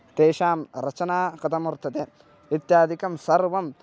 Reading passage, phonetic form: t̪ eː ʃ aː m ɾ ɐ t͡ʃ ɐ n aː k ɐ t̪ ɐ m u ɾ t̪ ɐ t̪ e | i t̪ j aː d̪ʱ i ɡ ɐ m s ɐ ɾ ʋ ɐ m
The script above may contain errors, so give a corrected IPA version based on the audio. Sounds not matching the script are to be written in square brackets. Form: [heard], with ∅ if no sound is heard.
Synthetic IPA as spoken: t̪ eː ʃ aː m ɾ ɐ t͡ʃ ɐ n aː k ɐ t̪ ɐ m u ɾ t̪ ɐ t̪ e | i t̪ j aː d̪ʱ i [k] ɐ m s ɐ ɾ ʋ ɐ m